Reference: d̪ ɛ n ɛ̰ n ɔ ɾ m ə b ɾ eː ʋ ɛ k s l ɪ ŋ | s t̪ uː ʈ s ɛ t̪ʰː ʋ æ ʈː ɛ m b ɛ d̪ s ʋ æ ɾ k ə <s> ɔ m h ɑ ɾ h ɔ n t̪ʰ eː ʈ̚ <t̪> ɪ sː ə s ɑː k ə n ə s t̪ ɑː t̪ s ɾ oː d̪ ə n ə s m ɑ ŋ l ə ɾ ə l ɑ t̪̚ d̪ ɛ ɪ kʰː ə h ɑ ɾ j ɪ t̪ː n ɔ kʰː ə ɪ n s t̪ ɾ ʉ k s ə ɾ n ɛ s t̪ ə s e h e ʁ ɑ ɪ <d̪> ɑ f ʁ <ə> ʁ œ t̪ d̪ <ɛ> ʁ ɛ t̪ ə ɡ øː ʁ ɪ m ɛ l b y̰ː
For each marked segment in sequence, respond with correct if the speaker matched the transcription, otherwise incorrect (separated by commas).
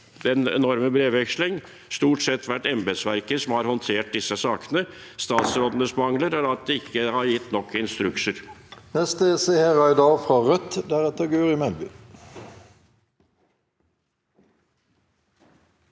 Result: correct, incorrect, correct, incorrect, incorrect